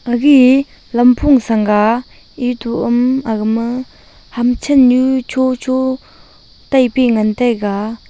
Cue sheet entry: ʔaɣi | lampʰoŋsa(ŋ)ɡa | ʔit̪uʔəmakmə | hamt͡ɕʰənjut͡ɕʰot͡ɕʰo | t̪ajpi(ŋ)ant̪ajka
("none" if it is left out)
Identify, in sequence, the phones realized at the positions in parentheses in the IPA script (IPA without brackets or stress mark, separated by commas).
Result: ŋ, ŋ